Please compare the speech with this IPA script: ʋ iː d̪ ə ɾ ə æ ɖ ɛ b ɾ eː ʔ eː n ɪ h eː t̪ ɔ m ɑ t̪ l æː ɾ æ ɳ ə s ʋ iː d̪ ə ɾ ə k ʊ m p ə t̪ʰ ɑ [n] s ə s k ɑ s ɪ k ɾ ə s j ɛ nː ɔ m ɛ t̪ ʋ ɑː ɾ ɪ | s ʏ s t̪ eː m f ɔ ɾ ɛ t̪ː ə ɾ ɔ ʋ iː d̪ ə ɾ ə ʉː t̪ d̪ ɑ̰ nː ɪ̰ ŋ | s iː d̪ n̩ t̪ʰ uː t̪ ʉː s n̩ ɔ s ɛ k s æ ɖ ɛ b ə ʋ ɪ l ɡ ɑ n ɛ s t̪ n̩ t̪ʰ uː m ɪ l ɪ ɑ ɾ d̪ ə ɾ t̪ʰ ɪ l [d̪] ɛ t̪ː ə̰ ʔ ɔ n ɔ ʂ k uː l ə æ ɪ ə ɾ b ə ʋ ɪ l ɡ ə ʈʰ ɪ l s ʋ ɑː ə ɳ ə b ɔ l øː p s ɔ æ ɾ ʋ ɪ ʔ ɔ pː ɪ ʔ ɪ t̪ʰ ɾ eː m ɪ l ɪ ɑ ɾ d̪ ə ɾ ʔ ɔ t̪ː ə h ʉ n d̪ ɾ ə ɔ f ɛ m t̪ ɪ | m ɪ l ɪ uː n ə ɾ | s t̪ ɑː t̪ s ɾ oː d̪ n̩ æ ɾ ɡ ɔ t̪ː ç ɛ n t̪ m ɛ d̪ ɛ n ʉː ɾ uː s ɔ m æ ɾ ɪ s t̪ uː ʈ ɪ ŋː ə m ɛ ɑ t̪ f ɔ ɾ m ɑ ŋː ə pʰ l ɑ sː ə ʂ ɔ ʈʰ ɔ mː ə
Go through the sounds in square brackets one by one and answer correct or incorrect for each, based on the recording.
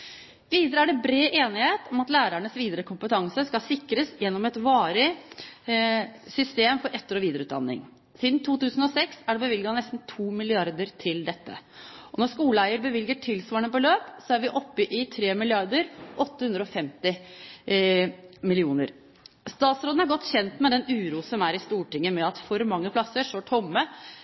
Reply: incorrect: ŋ, correct

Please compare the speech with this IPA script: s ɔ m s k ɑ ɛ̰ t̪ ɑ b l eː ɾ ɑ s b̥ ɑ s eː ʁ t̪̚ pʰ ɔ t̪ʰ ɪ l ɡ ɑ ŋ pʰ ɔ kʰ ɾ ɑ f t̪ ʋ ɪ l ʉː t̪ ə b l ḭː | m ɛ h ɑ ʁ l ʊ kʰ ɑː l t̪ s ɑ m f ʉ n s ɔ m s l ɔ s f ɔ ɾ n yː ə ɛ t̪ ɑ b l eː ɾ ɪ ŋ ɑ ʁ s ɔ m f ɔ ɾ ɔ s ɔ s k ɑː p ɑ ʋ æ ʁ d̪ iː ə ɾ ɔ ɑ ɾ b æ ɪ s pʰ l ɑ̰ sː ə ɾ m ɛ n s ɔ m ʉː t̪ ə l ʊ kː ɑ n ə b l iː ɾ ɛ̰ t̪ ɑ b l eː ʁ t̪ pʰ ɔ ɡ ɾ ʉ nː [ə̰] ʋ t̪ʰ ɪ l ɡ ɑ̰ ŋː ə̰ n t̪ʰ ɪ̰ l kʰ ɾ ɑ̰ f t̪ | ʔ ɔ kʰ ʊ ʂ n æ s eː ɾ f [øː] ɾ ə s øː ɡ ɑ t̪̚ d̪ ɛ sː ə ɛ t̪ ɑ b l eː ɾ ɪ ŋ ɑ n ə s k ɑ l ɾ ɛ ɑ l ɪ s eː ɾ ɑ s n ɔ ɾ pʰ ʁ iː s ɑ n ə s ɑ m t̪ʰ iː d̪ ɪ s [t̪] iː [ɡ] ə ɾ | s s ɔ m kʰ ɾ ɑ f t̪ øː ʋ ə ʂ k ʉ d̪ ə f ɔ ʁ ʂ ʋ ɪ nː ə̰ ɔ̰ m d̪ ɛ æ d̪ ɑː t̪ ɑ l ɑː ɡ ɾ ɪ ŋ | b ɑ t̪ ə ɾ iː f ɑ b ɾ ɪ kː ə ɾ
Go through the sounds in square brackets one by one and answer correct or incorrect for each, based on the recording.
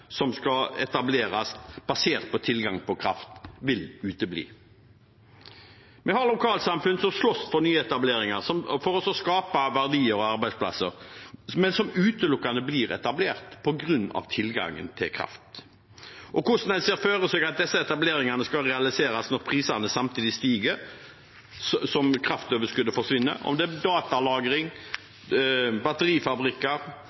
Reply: incorrect: ɑ̰, correct, correct, correct

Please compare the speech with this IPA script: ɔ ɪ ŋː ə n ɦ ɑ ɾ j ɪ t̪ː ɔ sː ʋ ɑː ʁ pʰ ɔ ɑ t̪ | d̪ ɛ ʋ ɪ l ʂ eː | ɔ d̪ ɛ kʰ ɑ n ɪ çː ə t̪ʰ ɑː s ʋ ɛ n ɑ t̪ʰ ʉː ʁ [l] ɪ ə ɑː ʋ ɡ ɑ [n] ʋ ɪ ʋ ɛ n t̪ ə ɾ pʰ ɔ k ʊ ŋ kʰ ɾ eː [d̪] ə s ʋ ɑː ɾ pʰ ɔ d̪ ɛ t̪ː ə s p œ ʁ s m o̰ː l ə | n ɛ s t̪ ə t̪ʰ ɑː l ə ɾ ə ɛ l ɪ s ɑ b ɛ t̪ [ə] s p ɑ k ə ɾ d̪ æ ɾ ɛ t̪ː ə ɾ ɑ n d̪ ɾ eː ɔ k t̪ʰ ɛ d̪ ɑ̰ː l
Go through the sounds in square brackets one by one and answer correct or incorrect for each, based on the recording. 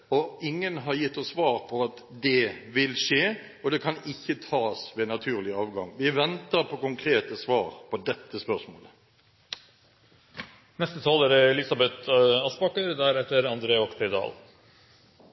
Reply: correct, incorrect: ŋ, incorrect: t̪, incorrect: ɑ

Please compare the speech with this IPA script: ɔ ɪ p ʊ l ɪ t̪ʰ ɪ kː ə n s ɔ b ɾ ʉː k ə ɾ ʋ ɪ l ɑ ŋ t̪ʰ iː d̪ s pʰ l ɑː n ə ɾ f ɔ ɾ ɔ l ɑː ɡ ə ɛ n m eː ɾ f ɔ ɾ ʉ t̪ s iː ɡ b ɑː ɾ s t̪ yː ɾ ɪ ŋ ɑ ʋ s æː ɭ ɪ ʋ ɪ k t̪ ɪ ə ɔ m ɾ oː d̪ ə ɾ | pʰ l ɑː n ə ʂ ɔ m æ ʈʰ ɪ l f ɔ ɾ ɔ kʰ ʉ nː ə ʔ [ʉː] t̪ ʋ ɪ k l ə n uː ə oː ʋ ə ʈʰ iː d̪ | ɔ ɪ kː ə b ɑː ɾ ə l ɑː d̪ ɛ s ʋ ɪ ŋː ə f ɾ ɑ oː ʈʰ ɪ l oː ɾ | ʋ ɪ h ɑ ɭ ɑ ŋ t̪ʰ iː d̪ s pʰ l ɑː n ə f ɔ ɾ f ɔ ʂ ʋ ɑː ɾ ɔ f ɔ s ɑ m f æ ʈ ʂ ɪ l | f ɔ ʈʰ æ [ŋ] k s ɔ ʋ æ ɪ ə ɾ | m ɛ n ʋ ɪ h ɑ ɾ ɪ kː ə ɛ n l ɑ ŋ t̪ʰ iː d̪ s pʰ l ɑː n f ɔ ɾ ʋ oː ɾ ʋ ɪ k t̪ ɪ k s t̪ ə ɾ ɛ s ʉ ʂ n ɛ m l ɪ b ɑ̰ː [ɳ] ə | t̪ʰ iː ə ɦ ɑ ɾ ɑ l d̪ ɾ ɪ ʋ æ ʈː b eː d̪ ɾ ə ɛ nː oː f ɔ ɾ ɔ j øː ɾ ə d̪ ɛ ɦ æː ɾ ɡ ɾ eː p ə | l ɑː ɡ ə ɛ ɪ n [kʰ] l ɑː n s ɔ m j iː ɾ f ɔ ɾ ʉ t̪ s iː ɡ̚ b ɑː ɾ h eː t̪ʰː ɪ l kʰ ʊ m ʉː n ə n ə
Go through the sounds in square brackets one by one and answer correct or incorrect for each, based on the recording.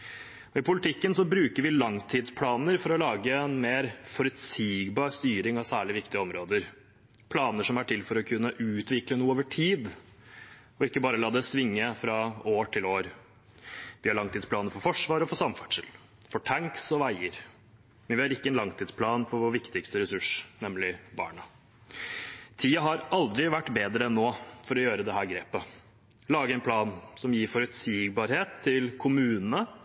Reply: correct, correct, correct, incorrect: pʰ

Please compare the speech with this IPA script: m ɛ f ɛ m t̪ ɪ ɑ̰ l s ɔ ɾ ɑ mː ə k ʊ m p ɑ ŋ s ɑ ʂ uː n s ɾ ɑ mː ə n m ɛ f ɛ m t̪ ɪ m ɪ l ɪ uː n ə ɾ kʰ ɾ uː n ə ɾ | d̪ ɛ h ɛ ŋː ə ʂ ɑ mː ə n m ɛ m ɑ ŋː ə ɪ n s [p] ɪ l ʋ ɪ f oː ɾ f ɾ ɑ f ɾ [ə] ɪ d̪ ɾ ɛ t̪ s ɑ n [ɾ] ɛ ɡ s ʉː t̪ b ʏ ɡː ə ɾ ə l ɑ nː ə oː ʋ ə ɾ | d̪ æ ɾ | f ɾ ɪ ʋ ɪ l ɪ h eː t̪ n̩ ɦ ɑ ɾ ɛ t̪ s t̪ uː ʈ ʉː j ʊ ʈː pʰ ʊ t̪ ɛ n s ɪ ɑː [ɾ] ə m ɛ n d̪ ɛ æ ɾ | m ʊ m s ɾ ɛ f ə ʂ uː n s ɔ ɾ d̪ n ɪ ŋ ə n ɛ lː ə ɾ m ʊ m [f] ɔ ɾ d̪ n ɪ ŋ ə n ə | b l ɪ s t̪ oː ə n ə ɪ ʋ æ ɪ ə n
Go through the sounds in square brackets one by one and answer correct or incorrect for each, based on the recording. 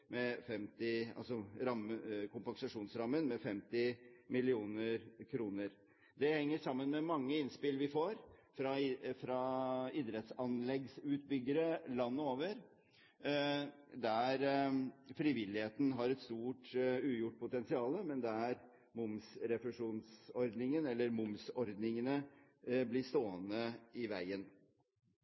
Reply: correct, incorrect: ɑ, incorrect: l, incorrect: l, incorrect: s

